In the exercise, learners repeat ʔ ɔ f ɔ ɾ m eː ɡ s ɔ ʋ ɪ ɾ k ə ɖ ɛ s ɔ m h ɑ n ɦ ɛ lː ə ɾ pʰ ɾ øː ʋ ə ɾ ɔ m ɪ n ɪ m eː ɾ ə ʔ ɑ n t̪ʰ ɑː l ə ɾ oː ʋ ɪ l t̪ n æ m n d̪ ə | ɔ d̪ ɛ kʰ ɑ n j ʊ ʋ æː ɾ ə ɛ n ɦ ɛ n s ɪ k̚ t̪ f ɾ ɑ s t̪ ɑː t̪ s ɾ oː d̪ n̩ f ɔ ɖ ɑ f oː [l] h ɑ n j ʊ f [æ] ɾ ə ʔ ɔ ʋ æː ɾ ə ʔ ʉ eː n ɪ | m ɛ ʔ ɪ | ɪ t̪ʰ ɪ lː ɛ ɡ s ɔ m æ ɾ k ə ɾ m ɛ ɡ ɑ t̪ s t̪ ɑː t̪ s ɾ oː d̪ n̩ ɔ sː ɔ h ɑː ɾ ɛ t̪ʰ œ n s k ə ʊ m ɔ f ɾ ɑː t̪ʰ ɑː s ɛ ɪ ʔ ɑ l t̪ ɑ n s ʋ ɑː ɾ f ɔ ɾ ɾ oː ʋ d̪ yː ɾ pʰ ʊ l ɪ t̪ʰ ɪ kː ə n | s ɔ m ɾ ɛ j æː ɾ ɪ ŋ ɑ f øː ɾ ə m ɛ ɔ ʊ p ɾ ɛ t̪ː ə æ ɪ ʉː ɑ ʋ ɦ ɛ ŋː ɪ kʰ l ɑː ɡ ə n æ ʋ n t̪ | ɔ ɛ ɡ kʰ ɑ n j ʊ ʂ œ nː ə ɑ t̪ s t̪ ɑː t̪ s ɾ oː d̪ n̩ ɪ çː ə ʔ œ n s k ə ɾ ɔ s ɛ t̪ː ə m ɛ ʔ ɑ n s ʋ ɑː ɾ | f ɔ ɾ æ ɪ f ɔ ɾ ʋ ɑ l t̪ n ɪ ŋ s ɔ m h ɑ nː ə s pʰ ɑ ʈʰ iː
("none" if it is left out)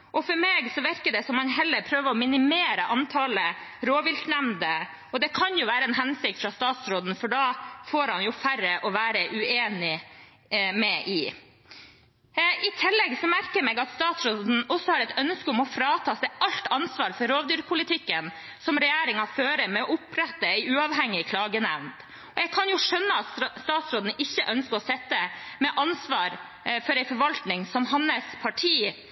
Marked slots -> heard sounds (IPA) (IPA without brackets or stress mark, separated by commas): ɾ, æ